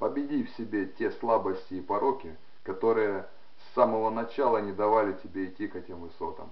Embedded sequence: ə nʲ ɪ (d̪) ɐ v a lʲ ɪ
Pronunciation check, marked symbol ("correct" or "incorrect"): correct